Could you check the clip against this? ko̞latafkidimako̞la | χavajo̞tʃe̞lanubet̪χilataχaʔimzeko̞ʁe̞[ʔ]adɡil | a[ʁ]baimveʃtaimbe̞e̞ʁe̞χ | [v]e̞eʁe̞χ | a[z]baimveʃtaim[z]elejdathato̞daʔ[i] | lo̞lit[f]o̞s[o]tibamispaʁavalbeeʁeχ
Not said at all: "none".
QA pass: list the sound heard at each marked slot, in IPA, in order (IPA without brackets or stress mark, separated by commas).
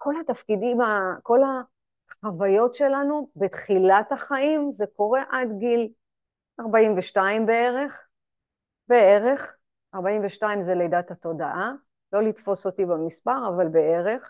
ʔ, ʁ, b, ʁ, z, a, f, o